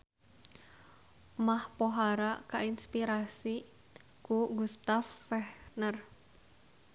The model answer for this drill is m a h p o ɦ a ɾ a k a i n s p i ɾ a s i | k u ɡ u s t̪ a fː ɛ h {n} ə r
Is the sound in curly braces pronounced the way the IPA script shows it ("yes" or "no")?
yes